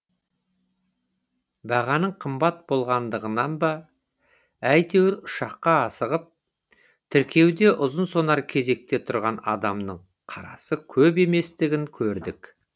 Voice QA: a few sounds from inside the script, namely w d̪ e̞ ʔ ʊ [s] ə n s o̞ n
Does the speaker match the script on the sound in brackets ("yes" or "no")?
no